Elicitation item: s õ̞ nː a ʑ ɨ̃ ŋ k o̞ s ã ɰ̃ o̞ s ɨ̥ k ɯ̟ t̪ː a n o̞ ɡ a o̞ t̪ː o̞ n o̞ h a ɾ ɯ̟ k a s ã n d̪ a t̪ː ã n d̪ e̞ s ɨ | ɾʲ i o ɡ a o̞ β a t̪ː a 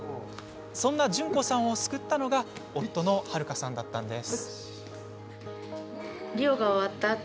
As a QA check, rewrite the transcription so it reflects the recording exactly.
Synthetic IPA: s õ̞ nː a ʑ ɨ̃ ŋ k o̞ s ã ɰ̃ o̞ s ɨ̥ k ɯ̟ t̪ː a n o̞ ɡ a o̞ t̪ː o̞ n o̞ h a ɾ ɯ̟ k a s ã n d̪ a t̪ː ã n d̪ e̞ s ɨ | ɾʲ i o ɡ a o̞ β a t̪ː a